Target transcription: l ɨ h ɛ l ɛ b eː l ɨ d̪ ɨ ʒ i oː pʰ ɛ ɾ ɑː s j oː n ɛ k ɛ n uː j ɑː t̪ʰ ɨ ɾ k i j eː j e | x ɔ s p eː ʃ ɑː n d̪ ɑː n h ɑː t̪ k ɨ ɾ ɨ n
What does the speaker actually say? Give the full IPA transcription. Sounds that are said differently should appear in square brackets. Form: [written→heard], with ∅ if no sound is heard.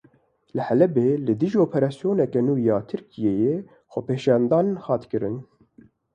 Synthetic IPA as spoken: l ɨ h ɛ l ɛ b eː l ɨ d̪ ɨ ʒ i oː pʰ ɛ ɾ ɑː s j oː n ɛ k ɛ n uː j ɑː t̪ʰ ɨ ɾ k i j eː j e | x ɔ [s→∅] p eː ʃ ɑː n d̪ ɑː n h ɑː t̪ k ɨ ɾ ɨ n